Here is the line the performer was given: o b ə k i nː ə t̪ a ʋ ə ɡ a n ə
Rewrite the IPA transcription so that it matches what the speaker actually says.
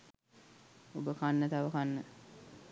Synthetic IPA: o b ə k a nː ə t̪ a ʋ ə k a nː ə